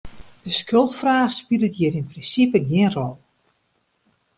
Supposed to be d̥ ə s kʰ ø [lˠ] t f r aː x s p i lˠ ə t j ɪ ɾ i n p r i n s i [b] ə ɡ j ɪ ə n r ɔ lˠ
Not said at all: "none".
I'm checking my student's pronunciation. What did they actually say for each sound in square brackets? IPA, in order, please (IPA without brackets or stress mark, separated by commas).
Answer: lˠ, p